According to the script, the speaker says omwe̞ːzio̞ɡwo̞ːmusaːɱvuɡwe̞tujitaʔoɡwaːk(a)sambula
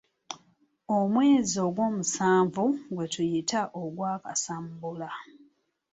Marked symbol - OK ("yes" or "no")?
yes